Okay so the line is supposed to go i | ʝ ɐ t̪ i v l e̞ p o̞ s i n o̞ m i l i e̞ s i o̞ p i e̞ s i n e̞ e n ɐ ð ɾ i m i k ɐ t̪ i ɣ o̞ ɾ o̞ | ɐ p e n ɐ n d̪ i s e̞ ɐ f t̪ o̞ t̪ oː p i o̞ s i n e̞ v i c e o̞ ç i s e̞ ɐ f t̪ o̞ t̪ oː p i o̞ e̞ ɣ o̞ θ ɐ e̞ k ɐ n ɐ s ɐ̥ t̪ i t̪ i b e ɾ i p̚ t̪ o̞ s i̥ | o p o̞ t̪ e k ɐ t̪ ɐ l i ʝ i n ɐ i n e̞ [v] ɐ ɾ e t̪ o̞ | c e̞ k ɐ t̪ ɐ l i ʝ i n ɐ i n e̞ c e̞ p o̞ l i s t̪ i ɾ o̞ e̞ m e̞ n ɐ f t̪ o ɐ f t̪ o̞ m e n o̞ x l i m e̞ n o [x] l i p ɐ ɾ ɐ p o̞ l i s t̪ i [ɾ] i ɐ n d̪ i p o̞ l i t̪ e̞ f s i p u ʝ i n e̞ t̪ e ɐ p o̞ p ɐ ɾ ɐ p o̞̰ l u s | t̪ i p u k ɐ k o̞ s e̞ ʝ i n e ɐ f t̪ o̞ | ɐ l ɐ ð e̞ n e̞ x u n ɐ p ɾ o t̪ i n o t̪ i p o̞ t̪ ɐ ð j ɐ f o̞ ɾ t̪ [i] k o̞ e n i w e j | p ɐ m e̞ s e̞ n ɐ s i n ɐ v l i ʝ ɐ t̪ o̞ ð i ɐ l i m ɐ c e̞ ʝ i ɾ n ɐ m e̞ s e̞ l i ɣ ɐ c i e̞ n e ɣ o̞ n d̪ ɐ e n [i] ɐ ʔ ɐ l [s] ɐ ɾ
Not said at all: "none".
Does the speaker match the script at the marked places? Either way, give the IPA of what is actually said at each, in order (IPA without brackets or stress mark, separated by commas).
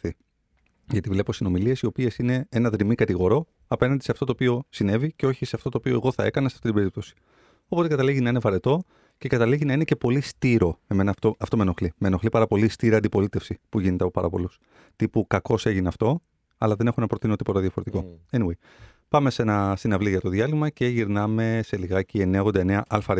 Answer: v, x, ɾ, i, e, f